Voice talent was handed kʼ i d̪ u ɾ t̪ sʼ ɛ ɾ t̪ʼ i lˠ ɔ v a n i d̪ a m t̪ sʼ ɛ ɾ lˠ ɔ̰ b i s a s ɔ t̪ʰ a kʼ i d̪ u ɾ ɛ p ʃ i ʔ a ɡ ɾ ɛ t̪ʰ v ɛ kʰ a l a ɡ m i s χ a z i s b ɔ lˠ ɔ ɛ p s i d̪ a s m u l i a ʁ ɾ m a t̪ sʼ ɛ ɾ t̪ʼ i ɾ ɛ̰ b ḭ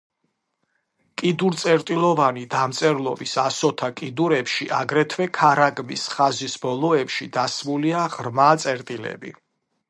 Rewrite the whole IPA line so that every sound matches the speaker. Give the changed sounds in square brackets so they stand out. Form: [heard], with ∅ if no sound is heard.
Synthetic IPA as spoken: kʼ i d̪ u ɾ t̪ sʼ ɛ ɾ t̪ʼ i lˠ ɔ v a n i d̪ a m t̪ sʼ ɛ ɾ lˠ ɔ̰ b i s a s ɔ t̪ʰ a kʼ i d̪ u ɾ ɛ p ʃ i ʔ a ɡ ɾ ɛ t̪ʰ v ɛ kʰ a [ɾ] a ɡ m i s χ a z i s b ɔ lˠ ɔ ɛ p [ʃ] i d̪ a s m u l i a ʁ ɾ m a t̪ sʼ ɛ ɾ t̪ʼ i [l] ɛ̰ b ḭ